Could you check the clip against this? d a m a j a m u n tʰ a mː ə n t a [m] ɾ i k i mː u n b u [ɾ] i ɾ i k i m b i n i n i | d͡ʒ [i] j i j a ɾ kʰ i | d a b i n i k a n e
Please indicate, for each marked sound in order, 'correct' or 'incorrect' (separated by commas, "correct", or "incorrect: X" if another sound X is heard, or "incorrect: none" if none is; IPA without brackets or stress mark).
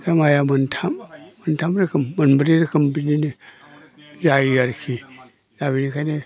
correct, correct, incorrect: a